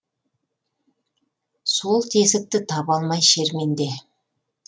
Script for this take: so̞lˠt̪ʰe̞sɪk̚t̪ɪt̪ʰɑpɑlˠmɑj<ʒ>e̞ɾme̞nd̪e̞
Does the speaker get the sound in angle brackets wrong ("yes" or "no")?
yes